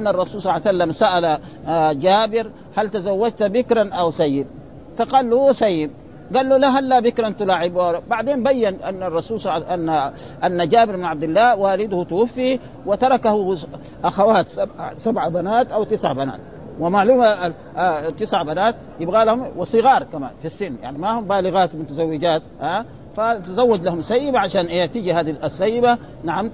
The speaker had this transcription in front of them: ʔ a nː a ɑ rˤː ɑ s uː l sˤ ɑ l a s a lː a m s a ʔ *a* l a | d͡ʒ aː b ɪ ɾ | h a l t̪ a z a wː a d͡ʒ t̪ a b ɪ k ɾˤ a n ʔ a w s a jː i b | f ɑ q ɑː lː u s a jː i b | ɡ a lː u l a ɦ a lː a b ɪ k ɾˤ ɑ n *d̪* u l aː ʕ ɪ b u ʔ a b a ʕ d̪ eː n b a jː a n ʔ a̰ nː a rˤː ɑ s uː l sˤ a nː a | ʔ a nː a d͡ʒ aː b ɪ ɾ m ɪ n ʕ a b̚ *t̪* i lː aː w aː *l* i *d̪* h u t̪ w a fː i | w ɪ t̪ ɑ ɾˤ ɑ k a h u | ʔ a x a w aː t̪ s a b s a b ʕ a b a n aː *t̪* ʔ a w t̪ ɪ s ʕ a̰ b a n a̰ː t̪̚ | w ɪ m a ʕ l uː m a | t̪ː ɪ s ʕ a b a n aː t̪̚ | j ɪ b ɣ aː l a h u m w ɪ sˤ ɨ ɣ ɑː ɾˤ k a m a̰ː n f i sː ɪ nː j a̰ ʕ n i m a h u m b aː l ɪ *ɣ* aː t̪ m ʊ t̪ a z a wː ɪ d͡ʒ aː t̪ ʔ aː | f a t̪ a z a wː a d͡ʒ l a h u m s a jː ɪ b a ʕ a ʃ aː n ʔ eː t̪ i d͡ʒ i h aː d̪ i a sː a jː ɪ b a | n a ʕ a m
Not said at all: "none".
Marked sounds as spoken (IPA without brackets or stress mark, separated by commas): a, t̪, d̪, l, d̪, t̪, ɣ